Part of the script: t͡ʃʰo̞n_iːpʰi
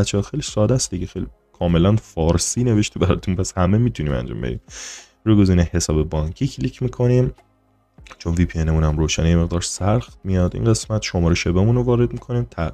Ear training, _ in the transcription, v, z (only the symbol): v